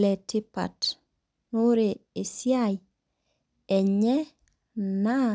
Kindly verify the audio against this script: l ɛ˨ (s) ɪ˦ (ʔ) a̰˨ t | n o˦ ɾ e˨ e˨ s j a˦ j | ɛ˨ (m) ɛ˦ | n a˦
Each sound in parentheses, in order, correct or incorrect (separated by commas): incorrect, incorrect, incorrect